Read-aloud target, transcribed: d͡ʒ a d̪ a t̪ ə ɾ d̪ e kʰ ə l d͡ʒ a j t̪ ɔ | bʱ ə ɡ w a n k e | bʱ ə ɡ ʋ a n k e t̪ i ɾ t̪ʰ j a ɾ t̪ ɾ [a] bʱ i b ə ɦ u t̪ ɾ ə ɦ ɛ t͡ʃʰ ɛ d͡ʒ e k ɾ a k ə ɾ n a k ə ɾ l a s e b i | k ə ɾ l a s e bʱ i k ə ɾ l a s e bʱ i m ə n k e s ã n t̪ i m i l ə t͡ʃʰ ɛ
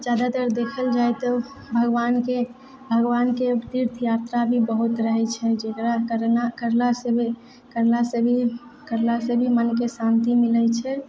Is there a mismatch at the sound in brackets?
no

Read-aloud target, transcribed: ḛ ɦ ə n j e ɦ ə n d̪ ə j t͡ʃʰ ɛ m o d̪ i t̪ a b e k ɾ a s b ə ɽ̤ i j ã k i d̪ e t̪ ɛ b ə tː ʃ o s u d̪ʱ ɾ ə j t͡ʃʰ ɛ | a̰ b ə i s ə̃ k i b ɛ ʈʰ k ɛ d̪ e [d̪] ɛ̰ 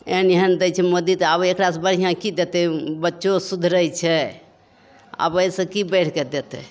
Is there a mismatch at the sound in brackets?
yes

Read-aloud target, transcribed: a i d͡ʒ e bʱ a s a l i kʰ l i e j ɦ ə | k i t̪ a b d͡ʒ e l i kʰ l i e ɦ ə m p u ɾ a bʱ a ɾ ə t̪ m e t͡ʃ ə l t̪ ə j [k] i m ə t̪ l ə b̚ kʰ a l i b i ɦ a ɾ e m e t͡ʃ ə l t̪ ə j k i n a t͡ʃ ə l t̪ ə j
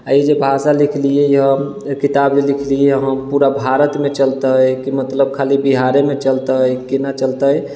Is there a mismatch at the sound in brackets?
no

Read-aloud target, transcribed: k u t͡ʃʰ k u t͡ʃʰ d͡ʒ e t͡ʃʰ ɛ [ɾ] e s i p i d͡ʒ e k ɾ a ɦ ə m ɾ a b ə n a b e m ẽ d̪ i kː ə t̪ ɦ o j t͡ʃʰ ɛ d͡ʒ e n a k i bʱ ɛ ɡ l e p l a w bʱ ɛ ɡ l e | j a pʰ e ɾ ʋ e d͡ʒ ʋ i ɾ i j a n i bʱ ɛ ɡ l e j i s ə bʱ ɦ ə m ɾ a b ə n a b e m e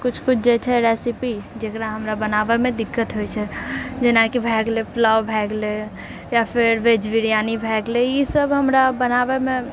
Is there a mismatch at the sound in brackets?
no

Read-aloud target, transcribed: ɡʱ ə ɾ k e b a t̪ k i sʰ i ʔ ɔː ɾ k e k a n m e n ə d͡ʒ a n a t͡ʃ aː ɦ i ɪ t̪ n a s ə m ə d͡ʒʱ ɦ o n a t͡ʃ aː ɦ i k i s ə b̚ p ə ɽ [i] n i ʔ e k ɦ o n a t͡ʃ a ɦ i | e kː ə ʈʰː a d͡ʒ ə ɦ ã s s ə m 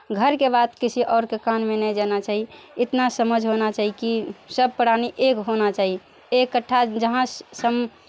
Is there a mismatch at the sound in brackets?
yes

